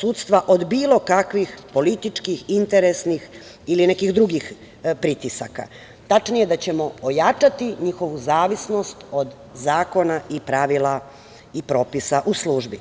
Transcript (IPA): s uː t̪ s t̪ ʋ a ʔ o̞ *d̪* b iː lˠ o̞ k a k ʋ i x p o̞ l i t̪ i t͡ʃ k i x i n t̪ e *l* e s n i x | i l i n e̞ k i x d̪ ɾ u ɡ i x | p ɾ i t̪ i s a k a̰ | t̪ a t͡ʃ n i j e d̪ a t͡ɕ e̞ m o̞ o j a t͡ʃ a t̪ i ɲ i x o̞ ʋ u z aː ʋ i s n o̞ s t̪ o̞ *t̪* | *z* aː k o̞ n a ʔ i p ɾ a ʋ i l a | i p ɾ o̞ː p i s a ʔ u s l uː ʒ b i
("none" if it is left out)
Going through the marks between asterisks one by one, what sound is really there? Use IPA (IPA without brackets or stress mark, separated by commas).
d̪, ɾ, d̪, z